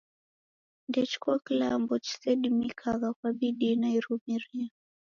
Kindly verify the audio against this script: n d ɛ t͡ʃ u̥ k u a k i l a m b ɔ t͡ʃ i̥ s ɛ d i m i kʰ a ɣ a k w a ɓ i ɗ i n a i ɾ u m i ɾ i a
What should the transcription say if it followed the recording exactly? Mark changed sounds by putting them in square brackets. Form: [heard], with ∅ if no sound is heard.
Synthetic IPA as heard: n d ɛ t͡ʃ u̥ k u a k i l a m b ɔ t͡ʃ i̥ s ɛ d i m i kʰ a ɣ a k w a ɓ i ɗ i n a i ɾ u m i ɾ i a